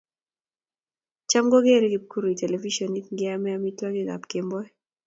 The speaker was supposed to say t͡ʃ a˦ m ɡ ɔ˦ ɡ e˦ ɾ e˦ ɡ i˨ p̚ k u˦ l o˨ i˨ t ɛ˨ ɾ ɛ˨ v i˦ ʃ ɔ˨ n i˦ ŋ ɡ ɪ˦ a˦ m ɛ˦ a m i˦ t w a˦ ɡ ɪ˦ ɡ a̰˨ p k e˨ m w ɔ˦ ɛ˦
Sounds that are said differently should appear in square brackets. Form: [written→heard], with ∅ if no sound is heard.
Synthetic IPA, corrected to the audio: t͡ʃ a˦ m ɡ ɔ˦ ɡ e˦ ɾ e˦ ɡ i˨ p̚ k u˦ [l→ɾ] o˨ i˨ t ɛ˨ [ɾ→l] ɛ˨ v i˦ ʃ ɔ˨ n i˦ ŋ ɡ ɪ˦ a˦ m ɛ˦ a m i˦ t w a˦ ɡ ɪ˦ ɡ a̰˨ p k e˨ m [w→b] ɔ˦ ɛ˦